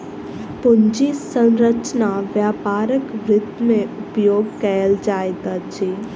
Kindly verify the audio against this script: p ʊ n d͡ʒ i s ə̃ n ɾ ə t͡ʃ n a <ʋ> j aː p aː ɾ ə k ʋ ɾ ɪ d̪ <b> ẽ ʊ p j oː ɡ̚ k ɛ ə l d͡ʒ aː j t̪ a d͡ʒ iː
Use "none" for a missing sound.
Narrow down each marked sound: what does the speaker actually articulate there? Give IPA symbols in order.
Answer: ʋ, m

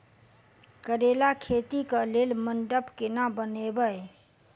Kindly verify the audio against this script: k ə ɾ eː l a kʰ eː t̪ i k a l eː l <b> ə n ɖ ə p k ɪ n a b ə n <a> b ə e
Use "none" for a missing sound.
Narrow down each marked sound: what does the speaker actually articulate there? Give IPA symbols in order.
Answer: m, e

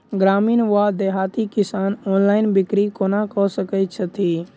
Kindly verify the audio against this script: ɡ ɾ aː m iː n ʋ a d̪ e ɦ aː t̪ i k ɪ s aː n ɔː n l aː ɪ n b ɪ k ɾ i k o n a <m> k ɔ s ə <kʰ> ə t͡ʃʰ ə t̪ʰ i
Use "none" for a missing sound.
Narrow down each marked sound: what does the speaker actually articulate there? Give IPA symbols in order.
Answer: none, k

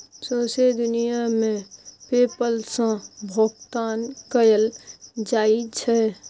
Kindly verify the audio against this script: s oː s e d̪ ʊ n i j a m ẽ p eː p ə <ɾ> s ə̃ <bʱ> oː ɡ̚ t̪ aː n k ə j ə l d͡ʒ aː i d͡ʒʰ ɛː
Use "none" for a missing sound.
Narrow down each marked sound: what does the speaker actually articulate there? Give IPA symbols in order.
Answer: l, bʱ

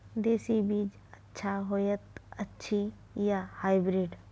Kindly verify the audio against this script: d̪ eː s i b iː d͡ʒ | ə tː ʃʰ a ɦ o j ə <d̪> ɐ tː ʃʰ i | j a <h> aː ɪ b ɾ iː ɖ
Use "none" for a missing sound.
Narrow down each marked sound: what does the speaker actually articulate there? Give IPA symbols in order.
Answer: t̪, h

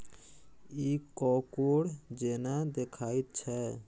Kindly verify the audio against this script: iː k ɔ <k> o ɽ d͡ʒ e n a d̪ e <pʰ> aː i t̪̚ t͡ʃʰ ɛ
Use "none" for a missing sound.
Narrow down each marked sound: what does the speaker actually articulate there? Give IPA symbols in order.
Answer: k, kʰ

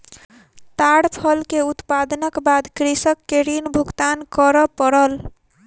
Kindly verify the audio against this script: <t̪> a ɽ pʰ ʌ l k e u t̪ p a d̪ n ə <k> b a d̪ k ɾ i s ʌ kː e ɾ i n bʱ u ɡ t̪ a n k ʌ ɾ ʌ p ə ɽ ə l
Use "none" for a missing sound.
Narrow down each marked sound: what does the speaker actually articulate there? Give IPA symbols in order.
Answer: t̪, k

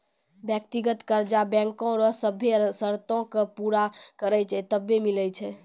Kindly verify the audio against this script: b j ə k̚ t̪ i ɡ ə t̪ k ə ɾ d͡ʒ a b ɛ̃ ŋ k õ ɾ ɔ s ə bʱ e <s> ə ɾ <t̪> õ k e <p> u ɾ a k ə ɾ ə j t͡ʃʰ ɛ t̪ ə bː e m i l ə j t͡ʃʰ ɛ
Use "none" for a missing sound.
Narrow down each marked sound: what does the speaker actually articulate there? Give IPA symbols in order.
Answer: s, t̪, p

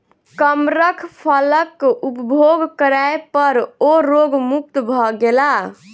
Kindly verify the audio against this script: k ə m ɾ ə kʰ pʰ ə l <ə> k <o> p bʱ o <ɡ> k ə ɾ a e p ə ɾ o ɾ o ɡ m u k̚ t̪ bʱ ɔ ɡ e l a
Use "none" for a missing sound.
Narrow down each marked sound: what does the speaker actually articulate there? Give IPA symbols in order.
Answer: ə, u, ɡ

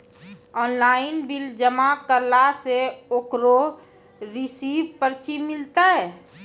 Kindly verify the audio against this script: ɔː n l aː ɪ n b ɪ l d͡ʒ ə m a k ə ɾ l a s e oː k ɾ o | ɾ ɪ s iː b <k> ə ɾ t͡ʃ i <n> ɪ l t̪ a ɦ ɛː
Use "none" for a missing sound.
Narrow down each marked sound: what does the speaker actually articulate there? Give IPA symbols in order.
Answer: p, m

